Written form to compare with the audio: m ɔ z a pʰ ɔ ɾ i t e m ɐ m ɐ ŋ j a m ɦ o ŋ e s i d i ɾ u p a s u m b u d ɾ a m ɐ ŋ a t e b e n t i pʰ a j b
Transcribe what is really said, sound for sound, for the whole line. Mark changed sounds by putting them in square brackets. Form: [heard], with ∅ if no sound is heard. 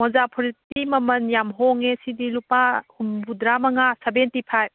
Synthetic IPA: m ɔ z a pʰ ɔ ɾ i t [i] m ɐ m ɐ [n] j a m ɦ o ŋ e s i d i [l] u p a [h] u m b u d ɾ a m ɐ ŋ a [s] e b e n t i pʰ a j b